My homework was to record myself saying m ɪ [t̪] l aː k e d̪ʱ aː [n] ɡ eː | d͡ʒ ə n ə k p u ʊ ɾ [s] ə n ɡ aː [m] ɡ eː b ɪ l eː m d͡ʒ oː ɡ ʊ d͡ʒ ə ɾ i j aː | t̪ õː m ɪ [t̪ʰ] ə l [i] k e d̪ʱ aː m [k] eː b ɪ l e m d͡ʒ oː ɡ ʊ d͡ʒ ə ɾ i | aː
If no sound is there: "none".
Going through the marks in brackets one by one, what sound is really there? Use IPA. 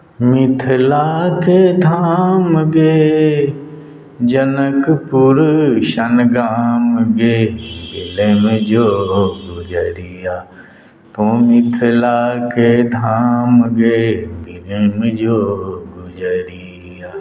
t̪ʰ, m, ʃ, m, t̪ʰ, a, ɡ

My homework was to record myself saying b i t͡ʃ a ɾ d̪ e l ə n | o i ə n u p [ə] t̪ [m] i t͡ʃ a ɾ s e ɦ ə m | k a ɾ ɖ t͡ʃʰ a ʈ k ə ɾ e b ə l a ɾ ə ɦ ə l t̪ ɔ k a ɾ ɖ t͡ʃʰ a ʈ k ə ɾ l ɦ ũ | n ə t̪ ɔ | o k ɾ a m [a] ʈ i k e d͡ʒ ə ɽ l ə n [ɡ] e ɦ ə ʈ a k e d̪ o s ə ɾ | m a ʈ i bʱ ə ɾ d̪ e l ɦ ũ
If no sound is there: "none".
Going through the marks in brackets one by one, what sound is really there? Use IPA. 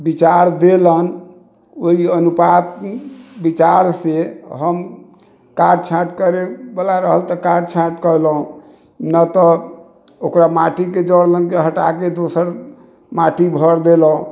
a, b, a, k

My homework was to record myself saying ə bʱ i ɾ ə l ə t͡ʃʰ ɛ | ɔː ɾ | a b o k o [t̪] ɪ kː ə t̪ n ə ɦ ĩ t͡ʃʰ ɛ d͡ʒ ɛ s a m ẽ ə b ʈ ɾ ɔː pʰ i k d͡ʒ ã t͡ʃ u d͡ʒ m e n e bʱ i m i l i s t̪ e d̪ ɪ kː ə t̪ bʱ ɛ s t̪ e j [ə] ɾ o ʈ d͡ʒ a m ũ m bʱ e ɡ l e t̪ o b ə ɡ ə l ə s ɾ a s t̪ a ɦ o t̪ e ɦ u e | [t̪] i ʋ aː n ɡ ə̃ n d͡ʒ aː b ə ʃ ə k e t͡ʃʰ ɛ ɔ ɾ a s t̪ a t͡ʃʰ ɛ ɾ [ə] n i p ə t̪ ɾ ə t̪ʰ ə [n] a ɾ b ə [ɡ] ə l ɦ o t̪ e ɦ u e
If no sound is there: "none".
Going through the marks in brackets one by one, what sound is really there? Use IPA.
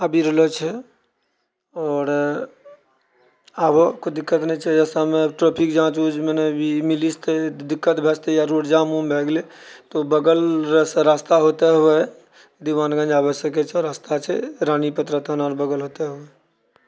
d̪, a, d̪, a, n, ɡ

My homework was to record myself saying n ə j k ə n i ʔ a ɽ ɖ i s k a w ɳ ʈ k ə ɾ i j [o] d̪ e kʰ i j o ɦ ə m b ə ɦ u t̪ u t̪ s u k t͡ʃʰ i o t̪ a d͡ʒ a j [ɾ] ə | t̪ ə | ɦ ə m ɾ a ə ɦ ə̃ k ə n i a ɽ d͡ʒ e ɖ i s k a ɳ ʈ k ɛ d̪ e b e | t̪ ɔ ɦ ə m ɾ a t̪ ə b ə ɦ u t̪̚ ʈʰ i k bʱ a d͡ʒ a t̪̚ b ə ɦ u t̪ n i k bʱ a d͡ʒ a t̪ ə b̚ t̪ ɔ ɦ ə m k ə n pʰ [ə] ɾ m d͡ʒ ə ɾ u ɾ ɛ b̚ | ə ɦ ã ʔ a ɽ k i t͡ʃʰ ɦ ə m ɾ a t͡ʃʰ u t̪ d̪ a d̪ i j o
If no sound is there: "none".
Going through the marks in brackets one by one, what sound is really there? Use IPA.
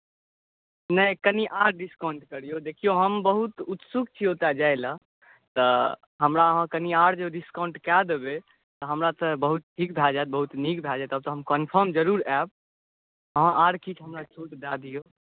o, l, ə

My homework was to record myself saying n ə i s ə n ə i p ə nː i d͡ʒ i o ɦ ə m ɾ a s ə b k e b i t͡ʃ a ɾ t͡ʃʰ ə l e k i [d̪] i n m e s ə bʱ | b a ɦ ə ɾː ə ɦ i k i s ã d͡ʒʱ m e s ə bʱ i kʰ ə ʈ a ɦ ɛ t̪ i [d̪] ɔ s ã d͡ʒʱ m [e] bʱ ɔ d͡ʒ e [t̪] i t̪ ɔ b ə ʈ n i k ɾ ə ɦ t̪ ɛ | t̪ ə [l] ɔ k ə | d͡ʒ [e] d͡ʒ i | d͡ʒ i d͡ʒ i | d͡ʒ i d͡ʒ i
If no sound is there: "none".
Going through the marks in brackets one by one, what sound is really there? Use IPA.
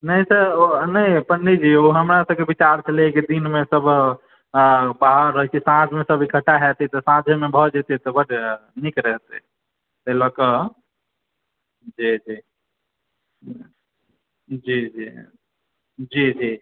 d̪, t̪, e, t̪, l, i

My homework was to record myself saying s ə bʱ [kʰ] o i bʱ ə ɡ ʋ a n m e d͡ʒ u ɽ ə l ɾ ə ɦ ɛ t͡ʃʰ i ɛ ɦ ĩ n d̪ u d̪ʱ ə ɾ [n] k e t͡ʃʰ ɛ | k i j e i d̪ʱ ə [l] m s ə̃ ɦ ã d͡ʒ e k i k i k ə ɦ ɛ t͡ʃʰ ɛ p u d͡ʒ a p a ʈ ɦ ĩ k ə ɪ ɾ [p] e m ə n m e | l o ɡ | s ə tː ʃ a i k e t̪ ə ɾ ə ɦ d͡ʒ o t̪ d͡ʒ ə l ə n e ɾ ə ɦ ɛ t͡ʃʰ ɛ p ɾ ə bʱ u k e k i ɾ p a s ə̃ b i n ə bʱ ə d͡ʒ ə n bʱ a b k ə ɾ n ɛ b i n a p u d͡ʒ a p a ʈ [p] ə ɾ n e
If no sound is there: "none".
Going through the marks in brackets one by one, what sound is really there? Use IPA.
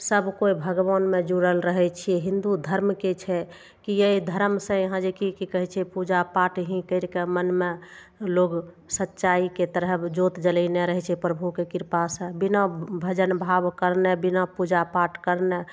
k, m, ɾ, k, k

